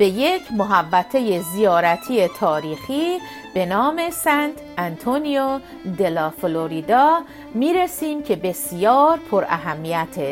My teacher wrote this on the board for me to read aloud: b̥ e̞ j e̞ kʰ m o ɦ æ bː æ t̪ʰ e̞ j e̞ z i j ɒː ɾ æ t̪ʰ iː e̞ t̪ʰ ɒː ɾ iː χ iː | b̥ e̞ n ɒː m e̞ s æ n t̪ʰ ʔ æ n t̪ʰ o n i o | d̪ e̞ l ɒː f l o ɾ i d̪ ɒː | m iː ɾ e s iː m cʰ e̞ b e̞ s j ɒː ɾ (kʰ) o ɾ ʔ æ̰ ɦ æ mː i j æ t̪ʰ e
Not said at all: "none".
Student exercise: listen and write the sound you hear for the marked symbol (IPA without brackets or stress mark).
pʰ